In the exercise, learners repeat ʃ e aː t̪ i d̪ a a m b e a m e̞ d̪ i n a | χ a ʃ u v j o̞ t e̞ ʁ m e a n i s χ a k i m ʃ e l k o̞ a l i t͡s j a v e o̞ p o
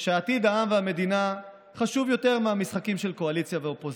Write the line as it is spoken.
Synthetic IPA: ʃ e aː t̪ i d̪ a a m v e a m e̞ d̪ i n a | χ a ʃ u v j o̞ t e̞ ʁ m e a m i s χ a k i m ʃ e l k o̞ a l i t͡s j a v e o̞ p o